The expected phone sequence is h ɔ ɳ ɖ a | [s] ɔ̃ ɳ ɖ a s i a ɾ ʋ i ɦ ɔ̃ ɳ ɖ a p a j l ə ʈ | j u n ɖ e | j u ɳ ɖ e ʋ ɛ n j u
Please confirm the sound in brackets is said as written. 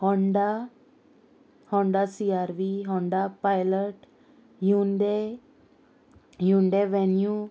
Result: no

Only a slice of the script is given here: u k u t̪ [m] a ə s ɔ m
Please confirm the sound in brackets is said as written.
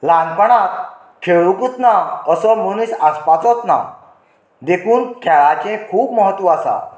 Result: no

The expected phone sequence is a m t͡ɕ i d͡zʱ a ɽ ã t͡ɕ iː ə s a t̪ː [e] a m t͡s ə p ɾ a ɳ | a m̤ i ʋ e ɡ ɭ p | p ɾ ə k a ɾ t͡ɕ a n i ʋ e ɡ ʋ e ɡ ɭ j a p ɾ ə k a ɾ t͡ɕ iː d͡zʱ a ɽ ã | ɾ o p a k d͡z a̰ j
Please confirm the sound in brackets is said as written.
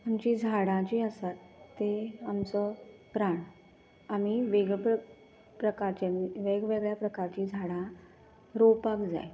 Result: yes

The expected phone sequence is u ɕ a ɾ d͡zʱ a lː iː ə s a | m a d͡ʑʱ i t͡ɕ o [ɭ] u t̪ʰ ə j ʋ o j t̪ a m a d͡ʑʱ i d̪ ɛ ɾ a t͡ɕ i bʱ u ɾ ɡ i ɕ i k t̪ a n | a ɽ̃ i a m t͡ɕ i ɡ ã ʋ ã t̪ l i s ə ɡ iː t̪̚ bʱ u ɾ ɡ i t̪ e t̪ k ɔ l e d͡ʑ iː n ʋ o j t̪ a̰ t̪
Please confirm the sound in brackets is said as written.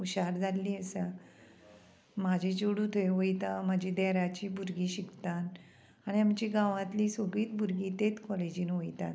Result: no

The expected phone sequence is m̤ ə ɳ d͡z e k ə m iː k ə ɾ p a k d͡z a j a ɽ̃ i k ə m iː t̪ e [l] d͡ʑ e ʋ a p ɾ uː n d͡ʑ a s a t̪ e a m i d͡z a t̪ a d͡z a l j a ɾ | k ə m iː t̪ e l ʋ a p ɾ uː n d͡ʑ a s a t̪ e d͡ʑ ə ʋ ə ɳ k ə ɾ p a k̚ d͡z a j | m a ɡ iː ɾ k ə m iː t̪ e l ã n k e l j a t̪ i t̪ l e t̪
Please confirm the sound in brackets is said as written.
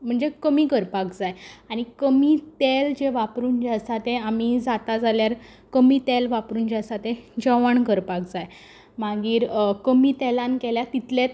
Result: yes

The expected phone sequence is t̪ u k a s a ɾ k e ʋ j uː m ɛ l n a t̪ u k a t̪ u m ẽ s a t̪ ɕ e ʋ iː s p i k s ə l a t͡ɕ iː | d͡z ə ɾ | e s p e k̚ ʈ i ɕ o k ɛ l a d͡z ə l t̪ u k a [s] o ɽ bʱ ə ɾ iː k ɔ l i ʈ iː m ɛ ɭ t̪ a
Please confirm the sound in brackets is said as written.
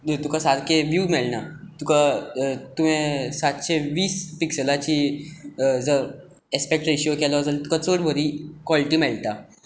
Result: no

